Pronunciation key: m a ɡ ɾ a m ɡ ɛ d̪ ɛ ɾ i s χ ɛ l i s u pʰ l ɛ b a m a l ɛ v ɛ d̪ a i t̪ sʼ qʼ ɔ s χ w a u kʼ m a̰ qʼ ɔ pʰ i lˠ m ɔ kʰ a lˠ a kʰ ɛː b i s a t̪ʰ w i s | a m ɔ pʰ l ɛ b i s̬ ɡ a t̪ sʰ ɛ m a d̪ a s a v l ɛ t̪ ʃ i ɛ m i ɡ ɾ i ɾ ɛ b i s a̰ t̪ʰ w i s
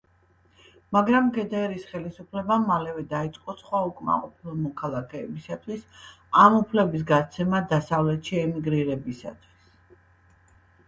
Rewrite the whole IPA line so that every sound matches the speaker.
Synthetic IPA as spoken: m a ɡ ɾ a m ɡ ɛ d̪ ɛ ɾ i s χ ɛ l i s u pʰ l ɛ b a m a l ɛ v ɛ d̪ a i t̪ sʼ qʼ ɔ s χ w a u kʼ m a̰ qʼ ɔ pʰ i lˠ m ɔ kʰ a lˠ a kʰ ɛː b i s a t̪ʰ w i s | a m u pʰ l ɛ b i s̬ ɡ a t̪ sʰ ɛ m a d̪ a s a v l ɛ t̪ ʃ i ɛ m i ɡ ɾ i ɾ ɛ b i s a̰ t̪ʰ w i s